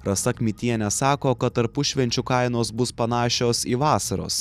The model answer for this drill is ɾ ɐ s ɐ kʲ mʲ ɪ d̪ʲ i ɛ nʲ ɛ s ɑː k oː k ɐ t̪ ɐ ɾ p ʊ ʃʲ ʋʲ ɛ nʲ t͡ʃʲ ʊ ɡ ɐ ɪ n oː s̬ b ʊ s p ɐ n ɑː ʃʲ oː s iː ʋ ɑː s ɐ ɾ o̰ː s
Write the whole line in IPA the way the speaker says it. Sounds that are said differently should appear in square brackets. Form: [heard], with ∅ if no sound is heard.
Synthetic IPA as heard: ɾ ɐ s ɐ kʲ mʲ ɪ [t̪ʲ] i ɛ nʲ ɛ s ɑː k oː k ɐ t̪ ɐ ɾ p ʊ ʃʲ ʋʲ ɛ nʲ t͡ʃʲ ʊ [k] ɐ ɪ n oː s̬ b ʊ s p ɐ n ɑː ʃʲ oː s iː ʋ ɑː s ɐ ɾ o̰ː s